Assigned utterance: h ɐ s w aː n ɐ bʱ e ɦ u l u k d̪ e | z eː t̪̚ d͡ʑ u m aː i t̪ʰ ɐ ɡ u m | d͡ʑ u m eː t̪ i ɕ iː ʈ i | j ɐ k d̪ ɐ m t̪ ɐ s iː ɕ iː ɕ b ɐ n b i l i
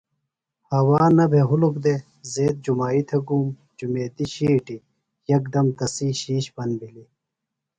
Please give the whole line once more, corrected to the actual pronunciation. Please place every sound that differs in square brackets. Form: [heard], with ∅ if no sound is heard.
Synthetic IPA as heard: h ɐ [∅] w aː n ɐ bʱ e ɦ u l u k d̪ e | z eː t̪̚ d͡ʑ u m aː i t̪ʰ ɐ ɡ u m | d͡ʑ u m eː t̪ i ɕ iː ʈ i | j ɐ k d̪ ɐ m t̪ ɐ s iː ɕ iː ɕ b ɐ n b i l i